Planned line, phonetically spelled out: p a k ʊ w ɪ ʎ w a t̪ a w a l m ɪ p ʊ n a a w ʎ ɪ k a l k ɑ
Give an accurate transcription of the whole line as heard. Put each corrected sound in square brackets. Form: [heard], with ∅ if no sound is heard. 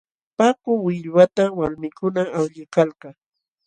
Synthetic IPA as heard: p a k ʊ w ɪ ʎ w a t̪ a w a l m ɪ [k] ʊ n a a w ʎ ɪ k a l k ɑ